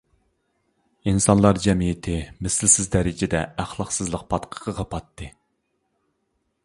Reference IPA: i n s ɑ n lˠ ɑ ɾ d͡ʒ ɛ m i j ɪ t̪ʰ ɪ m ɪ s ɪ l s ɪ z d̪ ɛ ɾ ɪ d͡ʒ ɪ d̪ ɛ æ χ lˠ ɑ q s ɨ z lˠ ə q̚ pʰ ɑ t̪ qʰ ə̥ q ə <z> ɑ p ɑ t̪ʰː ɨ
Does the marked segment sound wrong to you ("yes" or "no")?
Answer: yes